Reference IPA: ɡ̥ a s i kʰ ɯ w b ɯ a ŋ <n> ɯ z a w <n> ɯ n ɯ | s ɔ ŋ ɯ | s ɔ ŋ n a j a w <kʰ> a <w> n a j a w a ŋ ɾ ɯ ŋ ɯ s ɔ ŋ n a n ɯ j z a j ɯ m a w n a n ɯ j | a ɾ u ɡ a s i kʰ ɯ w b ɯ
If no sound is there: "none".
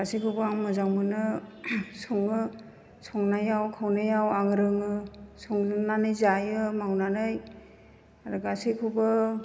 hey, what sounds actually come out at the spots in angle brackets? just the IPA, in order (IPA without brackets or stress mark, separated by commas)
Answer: m, m, kʰ, w